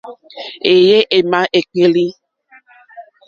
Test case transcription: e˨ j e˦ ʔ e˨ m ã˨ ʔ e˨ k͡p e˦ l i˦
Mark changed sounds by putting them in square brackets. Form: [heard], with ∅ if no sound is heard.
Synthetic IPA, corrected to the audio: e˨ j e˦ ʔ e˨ m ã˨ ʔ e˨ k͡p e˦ l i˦